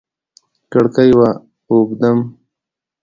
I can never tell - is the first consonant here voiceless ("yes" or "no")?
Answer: yes